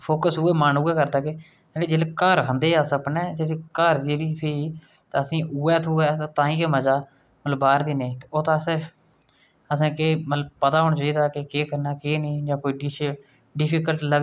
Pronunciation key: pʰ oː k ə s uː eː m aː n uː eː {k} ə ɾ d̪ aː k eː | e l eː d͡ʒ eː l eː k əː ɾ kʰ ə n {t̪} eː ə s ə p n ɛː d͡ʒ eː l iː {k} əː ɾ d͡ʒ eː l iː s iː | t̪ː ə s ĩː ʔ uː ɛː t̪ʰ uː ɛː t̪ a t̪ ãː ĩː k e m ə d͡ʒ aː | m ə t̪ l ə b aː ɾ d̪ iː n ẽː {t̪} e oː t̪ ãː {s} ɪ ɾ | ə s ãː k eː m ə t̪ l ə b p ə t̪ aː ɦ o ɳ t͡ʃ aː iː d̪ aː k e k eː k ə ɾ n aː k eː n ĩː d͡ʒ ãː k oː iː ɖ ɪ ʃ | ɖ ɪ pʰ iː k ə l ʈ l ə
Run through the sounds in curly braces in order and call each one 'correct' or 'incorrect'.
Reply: correct, incorrect: d̪, correct, correct, correct

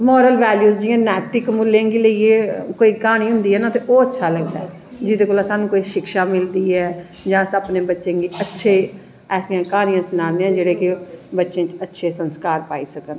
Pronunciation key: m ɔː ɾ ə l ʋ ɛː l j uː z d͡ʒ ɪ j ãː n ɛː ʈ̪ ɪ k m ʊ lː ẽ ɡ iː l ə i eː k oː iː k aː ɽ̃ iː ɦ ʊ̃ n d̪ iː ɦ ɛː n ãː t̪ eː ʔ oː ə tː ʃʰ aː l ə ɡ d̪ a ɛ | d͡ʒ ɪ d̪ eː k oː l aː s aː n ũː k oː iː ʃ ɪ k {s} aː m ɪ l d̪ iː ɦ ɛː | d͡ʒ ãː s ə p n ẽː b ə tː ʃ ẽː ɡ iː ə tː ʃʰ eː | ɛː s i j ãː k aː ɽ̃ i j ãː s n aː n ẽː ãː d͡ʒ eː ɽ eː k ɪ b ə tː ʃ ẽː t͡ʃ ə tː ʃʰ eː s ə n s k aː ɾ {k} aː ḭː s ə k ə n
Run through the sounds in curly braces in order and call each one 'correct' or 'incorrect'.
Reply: incorrect: ʃ, incorrect: p

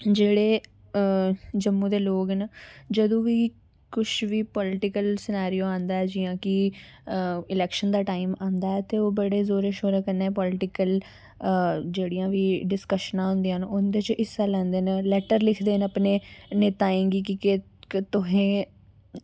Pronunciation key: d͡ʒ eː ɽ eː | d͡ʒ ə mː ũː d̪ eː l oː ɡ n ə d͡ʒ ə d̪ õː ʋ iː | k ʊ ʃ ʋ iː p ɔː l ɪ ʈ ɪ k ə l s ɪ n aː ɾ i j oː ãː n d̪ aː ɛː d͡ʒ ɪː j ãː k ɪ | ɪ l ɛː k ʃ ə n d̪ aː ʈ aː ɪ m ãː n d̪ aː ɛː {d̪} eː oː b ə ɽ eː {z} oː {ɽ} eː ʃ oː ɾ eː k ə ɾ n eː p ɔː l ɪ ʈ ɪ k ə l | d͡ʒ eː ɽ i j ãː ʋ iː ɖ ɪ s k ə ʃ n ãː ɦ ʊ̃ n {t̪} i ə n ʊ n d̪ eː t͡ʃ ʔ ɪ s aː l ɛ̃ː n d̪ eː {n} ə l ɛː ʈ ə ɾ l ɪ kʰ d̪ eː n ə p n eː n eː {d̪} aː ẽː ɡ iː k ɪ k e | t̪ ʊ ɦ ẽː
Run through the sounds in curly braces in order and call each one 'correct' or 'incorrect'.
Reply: incorrect: t̪, correct, incorrect: ɾ, incorrect: d̪, correct, incorrect: t̪

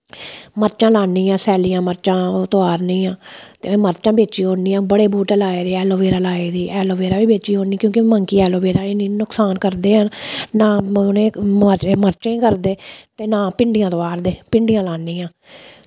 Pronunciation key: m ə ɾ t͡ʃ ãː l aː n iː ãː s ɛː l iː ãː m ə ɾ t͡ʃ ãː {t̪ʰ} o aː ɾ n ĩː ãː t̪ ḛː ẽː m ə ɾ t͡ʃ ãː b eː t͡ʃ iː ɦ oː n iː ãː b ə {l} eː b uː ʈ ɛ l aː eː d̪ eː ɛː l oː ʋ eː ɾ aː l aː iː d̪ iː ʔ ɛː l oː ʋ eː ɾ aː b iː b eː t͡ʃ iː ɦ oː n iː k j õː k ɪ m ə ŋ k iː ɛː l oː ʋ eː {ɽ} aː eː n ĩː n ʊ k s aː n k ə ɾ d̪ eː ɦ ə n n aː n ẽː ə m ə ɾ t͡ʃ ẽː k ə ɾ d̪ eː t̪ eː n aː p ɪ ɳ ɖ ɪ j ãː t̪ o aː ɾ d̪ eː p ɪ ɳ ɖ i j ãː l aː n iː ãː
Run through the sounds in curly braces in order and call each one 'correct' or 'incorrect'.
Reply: incorrect: t̪, incorrect: ɽ, incorrect: ɾ

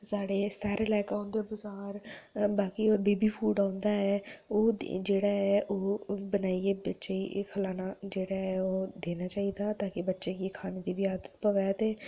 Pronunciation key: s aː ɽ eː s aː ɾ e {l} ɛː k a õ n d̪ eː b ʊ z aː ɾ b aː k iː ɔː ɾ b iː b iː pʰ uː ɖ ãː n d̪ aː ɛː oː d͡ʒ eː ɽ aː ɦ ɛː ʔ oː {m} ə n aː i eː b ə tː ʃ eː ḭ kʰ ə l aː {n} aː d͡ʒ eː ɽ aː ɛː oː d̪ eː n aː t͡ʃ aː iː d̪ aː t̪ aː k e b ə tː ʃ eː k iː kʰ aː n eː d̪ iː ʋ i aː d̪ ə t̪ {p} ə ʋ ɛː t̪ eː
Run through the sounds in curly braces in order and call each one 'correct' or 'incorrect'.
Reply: correct, incorrect: b, correct, correct

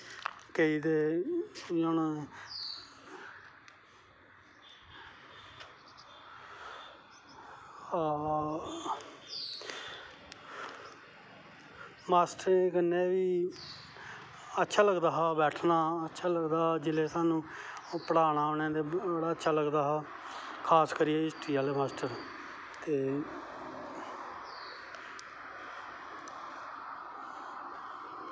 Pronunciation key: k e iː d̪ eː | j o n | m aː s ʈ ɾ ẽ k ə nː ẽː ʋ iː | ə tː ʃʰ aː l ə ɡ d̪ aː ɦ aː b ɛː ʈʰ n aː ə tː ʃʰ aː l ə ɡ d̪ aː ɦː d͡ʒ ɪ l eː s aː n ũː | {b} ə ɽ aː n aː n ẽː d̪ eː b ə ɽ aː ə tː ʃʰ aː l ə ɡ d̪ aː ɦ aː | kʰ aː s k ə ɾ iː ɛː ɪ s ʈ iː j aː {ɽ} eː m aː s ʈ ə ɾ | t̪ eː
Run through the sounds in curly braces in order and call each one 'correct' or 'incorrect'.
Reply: incorrect: p, incorrect: l

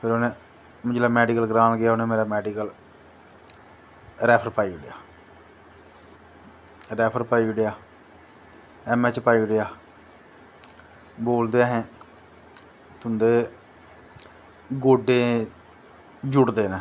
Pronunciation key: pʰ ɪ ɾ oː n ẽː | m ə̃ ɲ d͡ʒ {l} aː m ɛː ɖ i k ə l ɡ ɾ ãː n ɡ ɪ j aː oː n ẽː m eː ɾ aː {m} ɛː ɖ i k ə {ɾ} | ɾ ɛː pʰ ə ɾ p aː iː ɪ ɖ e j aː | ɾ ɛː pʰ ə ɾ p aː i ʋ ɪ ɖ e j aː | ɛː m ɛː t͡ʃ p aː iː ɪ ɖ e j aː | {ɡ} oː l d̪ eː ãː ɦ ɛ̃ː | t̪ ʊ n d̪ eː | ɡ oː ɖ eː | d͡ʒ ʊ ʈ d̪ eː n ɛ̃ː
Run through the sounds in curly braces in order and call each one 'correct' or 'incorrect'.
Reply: correct, correct, incorrect: l, incorrect: b

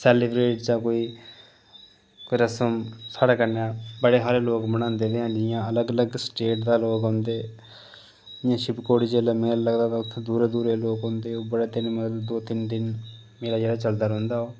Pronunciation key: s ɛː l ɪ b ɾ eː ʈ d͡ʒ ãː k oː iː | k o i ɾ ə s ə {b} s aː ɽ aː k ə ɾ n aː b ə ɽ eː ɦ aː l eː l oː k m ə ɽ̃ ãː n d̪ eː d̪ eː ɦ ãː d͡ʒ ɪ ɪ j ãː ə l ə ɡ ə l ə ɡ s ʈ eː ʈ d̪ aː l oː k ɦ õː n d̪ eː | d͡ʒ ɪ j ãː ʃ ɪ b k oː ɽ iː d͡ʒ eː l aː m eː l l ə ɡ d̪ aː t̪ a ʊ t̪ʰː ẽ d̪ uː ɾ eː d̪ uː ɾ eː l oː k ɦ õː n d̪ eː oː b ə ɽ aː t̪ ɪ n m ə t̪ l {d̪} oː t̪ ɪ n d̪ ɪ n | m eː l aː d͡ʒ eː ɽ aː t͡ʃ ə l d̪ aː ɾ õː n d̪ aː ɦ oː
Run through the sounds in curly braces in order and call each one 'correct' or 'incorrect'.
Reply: incorrect: m, correct

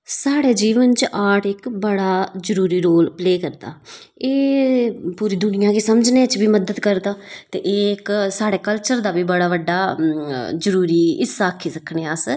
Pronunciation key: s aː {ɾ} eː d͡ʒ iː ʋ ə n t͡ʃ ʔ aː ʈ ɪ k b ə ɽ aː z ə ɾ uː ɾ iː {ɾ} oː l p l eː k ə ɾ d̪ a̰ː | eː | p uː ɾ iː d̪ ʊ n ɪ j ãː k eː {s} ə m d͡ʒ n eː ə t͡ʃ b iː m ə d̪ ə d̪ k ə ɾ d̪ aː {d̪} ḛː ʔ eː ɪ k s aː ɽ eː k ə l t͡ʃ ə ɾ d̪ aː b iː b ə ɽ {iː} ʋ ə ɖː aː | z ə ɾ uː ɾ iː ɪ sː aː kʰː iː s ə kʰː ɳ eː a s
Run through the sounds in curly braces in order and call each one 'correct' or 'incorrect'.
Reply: incorrect: ɽ, correct, correct, incorrect: t̪, incorrect: aː

